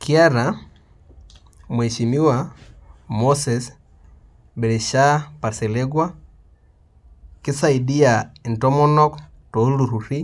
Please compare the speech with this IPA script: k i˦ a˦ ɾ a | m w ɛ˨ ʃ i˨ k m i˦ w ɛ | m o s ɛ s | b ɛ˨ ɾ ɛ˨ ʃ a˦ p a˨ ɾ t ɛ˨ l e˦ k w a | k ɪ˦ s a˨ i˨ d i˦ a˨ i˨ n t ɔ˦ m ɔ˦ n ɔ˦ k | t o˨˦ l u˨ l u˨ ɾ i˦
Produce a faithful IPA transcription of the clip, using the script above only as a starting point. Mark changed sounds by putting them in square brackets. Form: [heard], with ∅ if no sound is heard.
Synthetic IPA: k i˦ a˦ ɾ a | m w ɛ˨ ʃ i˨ [∅] m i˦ w [a] | m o s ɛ s | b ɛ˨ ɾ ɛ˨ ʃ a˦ p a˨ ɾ [s] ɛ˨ l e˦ [ɡ] w a | k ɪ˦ s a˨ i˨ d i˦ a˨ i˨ n t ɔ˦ m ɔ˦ n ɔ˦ k | t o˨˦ l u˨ [ɾ] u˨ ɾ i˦